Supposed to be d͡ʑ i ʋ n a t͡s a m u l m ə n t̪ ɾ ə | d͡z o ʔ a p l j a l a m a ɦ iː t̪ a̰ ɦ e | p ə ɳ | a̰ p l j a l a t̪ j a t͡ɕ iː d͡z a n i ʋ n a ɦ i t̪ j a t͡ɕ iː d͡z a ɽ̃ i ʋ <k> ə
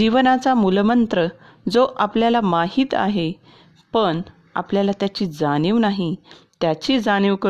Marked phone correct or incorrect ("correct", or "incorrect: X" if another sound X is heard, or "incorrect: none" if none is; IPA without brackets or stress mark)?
correct